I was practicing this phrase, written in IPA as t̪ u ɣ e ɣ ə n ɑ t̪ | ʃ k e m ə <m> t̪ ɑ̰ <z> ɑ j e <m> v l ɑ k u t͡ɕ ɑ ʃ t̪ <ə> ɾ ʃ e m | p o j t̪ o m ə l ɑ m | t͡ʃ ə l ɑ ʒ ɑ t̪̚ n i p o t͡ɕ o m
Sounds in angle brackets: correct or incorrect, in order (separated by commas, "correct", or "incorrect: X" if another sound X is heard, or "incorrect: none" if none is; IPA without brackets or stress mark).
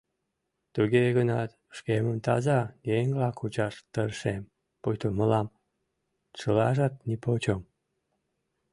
correct, correct, incorrect: ŋ, correct